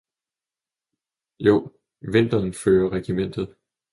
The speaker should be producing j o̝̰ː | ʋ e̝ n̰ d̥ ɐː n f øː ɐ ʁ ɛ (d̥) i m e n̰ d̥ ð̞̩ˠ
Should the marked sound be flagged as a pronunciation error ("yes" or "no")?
yes